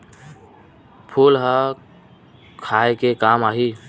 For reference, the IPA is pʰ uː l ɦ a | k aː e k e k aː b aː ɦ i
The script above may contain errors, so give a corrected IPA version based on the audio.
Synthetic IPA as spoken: pʰ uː l ɦ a | kʰ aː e k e k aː m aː ɦ i